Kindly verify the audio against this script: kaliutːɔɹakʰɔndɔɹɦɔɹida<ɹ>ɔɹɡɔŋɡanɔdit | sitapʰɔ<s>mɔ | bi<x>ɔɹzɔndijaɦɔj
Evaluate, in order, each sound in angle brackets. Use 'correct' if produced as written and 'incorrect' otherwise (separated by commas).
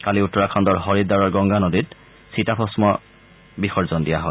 correct, correct, correct